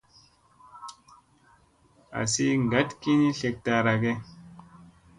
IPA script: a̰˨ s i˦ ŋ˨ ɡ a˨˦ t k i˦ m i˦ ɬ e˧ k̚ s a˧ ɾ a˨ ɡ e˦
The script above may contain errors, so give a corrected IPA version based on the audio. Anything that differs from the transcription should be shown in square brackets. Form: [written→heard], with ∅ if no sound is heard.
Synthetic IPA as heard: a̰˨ s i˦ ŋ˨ ɡ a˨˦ t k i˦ [m→n] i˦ ɬ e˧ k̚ [s→t] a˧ ɾ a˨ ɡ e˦